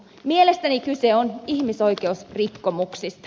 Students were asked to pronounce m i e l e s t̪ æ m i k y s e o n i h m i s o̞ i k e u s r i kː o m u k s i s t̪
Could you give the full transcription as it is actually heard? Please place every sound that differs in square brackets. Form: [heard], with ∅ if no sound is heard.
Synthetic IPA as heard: m i e l e s t̪ æ [n] i k y s e o n i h m i s o̞ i k e u s r i kː o m u k s i s t̪